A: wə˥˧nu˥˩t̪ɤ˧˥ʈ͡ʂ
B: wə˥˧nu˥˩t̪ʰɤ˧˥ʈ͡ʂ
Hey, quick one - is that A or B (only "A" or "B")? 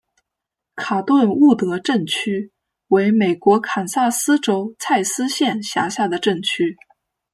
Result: A